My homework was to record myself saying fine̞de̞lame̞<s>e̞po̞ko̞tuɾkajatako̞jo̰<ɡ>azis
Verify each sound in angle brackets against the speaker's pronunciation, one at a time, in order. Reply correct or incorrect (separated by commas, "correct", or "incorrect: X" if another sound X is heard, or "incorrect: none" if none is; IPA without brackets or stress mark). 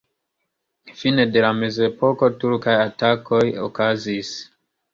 incorrect: z, incorrect: k